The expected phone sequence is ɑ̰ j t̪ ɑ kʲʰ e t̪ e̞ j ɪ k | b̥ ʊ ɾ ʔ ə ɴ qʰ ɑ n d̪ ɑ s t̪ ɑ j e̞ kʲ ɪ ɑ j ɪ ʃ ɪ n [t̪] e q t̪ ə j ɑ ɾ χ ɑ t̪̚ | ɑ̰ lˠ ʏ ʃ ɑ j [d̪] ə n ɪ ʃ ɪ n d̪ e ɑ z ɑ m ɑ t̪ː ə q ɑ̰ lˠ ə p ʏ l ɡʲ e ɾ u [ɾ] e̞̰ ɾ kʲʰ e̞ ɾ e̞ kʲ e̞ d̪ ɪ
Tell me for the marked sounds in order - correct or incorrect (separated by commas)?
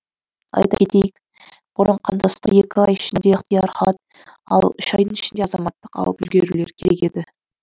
incorrect, correct, incorrect